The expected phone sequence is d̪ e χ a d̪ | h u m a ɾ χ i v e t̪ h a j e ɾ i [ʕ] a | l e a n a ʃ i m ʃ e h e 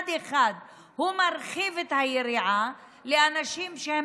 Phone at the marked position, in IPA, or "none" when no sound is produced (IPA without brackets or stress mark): ʕ